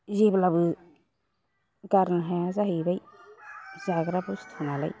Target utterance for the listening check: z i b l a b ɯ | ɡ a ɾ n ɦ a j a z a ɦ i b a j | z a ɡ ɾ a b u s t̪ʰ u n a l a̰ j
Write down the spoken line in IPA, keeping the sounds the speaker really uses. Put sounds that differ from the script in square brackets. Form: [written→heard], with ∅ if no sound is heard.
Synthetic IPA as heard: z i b l a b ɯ | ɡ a ɾ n ɦ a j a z a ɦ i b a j | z a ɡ ɾ a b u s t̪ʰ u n a l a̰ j